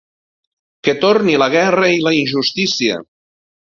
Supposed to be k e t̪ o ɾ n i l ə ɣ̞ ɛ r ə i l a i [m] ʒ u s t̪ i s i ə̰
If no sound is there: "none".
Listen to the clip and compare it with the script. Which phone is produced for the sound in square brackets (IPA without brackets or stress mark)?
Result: n